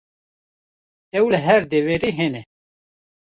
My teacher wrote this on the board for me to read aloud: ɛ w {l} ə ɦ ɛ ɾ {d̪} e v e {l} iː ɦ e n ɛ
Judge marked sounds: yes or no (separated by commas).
yes, yes, no